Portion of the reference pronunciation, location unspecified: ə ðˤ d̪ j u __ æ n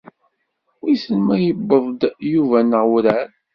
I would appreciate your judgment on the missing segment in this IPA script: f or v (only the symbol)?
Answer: v